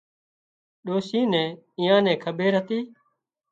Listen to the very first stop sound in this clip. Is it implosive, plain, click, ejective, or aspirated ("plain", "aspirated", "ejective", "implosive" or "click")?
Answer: implosive